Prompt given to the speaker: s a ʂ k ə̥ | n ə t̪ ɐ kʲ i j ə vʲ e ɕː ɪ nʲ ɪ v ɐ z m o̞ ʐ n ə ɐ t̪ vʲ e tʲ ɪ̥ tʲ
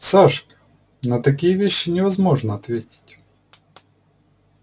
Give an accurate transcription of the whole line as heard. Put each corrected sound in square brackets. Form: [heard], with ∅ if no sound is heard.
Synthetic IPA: s a ʂ k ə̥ | n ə t̪ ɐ kʲ i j ə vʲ e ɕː ɪ nʲ ɪ v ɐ z m o̞ ʐ n ə ɐ t̪ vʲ e tʲ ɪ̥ tʲ